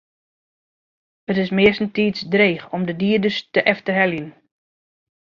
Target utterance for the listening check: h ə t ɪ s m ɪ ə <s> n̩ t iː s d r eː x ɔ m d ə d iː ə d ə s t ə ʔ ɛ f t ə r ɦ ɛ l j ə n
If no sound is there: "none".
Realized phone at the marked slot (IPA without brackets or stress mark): s